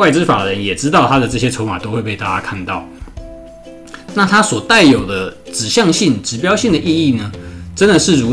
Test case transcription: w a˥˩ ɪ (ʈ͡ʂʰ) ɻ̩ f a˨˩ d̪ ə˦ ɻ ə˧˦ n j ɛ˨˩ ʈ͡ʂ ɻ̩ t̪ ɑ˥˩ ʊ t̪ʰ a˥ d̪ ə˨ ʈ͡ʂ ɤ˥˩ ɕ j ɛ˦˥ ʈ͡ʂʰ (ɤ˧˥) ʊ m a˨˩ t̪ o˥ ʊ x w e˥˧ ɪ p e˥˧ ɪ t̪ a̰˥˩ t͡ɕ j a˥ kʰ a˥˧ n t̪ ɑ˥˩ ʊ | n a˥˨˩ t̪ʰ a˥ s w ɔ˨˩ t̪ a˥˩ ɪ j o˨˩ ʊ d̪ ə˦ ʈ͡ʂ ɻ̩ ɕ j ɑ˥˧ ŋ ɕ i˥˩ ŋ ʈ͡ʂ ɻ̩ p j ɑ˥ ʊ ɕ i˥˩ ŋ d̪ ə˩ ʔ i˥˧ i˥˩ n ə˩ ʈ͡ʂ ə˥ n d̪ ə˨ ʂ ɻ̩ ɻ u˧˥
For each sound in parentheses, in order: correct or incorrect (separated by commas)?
incorrect, incorrect